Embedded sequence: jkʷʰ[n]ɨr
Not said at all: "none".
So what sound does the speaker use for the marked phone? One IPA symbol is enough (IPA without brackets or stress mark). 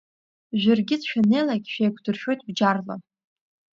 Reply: d